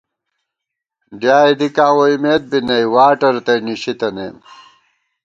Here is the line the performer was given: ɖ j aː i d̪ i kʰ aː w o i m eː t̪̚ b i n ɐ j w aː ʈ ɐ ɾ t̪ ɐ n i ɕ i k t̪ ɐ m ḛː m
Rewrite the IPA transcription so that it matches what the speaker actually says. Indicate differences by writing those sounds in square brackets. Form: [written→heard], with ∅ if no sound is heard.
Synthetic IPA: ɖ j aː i d̪ i [kʰ→k] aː w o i m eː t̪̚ b i n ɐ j w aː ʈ ɐ ɾ t̪ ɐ n i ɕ i [k→∅] t̪ ɐ [m→n] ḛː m